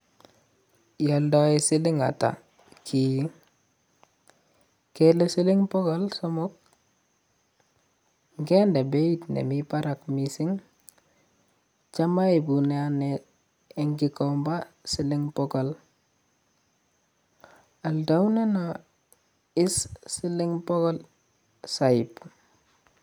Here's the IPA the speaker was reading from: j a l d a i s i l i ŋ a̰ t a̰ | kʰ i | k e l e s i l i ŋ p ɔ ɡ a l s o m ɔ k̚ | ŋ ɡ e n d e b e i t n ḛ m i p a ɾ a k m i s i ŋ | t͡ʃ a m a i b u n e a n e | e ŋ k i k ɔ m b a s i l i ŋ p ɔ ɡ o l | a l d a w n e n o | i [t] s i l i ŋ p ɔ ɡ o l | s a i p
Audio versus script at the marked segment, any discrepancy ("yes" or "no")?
yes